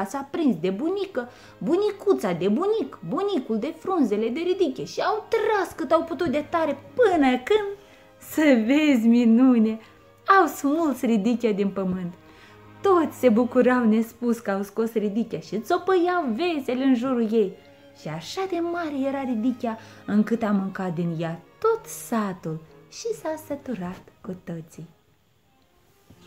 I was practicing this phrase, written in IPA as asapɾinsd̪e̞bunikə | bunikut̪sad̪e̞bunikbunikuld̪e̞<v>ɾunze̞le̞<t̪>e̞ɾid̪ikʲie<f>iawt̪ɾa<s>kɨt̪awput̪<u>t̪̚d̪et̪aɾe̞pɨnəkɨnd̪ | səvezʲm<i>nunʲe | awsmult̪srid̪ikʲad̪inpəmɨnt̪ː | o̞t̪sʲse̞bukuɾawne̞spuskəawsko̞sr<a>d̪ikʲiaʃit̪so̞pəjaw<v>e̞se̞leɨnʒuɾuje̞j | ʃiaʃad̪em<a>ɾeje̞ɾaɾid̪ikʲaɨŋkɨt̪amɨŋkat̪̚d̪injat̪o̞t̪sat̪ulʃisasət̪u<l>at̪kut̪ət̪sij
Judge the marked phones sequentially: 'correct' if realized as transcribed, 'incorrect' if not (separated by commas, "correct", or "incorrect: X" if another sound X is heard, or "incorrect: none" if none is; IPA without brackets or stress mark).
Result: incorrect: f, incorrect: d̪, incorrect: ʃ, correct, correct, correct, incorrect: i, correct, correct, incorrect: ɾ